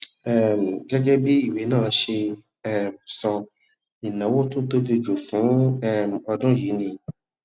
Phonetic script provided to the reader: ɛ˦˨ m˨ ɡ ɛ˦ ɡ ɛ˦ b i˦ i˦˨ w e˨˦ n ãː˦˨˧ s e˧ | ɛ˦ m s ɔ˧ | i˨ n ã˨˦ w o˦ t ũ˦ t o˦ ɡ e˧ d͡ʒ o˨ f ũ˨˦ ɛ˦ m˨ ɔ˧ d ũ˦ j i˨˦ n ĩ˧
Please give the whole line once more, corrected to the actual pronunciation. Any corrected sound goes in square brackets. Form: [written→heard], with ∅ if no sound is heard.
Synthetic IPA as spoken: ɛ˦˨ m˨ ɡ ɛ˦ ɡ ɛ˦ b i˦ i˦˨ w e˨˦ n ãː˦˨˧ [s→ʃ] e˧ | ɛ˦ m s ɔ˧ | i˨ n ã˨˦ w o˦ t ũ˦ t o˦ [ɡ→b] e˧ d͡ʒ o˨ f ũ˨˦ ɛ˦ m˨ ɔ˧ d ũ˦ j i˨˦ n ĩ˧